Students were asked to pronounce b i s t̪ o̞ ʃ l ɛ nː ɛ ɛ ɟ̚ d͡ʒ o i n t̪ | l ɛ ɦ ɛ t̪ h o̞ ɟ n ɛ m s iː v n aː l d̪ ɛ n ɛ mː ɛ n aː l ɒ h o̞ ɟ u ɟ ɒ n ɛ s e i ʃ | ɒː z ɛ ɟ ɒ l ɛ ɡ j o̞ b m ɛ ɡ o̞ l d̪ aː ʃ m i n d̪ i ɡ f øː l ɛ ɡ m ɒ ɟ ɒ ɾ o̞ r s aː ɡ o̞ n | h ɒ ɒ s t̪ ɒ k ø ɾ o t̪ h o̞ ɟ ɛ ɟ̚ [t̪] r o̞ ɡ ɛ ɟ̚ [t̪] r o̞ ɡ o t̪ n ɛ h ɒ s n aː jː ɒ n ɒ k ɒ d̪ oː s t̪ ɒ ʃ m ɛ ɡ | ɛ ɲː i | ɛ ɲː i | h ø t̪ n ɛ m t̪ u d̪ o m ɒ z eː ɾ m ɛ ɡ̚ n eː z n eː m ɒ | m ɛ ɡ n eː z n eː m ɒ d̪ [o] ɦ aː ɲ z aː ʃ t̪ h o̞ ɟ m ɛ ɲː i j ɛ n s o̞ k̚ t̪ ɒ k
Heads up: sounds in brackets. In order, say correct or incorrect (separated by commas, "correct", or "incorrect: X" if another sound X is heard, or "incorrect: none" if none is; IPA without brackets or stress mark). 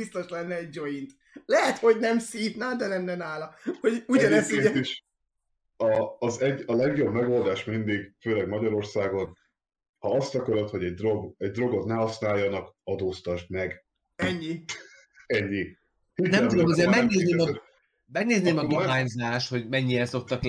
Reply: incorrect: d̪, incorrect: d̪, correct